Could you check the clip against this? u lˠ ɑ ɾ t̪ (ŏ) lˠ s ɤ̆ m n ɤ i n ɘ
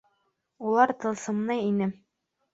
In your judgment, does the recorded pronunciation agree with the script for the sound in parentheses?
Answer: no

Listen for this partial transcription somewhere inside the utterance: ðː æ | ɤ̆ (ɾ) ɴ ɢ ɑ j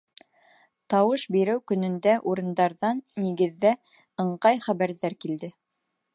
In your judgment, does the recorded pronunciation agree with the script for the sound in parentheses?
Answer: no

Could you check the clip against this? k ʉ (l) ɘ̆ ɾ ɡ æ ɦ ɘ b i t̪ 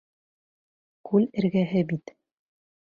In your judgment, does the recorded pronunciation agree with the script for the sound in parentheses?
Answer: yes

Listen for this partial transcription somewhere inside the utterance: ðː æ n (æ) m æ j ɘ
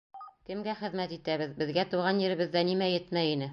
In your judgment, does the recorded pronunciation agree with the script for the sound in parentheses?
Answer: no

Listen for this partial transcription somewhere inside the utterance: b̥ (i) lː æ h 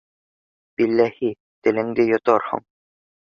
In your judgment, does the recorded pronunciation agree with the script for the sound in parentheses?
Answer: yes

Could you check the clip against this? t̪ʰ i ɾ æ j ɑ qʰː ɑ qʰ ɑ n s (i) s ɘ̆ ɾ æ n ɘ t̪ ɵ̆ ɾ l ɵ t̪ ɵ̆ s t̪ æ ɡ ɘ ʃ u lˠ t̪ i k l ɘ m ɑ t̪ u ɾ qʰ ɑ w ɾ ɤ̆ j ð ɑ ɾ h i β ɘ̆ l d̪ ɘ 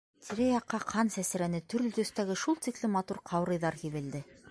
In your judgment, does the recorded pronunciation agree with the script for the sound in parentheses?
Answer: no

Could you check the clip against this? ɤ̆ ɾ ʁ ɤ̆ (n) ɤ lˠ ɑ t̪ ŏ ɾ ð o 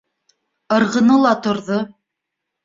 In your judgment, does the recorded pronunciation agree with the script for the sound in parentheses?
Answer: yes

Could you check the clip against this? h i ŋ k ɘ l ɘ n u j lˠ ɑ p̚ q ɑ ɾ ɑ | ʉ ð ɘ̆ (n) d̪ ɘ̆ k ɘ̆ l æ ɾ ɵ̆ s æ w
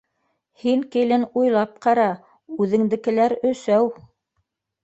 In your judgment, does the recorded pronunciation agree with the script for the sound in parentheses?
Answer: no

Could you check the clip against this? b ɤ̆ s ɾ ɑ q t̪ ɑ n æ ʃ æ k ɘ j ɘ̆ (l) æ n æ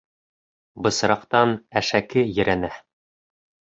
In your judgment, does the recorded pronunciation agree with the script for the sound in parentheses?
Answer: no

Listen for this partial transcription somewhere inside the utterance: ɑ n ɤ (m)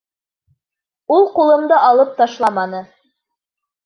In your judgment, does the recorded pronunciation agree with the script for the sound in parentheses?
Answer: no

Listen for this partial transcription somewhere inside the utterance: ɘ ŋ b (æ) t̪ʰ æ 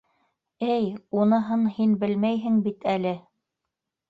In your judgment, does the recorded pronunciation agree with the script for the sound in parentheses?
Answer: no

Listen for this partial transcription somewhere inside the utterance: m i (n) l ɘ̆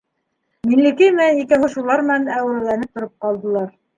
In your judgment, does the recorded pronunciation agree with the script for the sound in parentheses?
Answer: yes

